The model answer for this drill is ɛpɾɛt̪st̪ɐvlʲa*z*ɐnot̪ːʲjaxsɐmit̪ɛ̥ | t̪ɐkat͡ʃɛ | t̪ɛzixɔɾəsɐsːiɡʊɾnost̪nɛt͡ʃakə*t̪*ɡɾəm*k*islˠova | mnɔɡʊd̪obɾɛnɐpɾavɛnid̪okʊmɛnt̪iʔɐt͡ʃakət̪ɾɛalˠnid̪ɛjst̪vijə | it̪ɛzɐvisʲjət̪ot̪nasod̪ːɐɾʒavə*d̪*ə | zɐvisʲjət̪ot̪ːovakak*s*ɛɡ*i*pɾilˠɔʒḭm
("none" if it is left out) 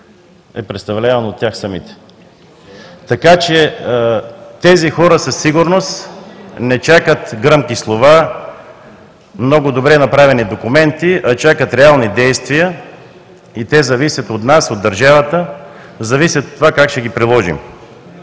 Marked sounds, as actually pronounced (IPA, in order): v, t̪, k, t̪, ʃ, i

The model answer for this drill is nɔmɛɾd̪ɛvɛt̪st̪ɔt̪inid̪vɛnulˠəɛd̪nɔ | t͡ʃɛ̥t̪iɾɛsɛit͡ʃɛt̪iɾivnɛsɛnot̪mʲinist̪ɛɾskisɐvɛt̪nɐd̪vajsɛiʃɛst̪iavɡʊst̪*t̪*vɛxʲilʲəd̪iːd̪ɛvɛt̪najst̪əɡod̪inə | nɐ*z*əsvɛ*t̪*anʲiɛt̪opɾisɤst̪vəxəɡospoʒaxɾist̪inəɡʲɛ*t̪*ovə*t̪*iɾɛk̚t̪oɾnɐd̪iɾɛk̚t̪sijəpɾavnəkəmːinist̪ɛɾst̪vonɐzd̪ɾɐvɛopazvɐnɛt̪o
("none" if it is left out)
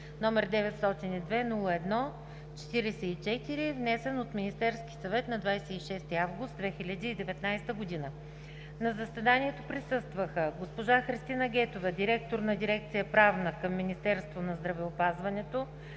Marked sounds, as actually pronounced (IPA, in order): d̪, z, d̪, t̪, d̪

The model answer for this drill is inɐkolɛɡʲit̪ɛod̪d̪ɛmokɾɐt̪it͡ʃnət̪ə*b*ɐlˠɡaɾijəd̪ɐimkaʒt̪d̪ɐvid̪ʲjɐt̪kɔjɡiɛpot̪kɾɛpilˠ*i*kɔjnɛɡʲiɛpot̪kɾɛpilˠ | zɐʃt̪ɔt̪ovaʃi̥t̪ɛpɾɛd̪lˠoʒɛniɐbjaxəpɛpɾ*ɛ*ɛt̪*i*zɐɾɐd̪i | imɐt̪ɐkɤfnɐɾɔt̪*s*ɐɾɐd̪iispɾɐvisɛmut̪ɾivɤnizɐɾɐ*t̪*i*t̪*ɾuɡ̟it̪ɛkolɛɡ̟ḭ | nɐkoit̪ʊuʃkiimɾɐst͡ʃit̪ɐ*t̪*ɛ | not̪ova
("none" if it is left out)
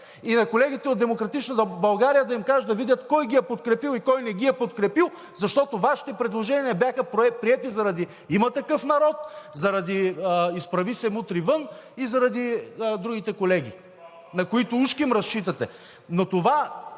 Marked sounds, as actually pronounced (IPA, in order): b, i, i, i, z, d̪, d̪, t̪

